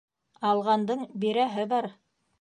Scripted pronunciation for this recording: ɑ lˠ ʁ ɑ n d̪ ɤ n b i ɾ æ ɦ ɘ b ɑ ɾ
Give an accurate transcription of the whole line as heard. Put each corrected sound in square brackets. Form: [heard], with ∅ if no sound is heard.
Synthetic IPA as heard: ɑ lˠ ʁ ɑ n d̪ ɤ [ɴ] b i ɾ æ ɦ ɘ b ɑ ɾ